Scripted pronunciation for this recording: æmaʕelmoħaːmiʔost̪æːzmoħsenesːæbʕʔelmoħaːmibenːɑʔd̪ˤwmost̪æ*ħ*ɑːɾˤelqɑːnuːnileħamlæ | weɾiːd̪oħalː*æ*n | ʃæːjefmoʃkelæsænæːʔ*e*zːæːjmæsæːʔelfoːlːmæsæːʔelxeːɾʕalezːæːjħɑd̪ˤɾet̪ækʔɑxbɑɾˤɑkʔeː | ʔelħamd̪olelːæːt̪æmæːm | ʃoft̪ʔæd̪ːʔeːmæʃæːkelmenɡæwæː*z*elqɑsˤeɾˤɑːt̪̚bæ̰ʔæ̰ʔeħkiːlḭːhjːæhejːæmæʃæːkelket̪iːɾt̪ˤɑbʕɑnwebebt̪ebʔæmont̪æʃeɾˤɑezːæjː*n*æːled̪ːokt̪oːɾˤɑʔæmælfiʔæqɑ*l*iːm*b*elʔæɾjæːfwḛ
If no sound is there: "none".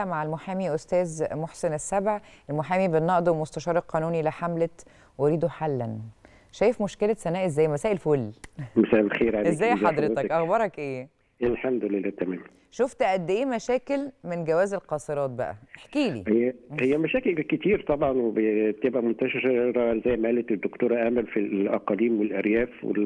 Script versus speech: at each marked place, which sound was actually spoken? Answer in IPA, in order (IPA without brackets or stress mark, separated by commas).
ʃ, æ, e, z, m, l, w